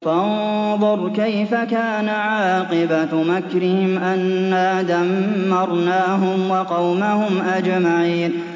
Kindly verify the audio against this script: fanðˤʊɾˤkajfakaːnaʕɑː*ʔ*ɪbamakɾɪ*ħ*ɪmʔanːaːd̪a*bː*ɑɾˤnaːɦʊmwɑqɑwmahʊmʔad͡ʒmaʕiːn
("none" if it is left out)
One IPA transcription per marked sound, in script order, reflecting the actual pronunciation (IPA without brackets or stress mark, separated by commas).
q, h, mː